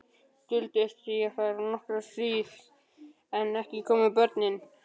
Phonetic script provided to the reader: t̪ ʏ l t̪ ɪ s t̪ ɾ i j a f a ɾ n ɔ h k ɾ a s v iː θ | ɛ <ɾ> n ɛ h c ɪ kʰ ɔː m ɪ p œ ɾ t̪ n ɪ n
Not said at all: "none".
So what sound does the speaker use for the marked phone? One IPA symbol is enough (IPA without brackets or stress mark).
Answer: none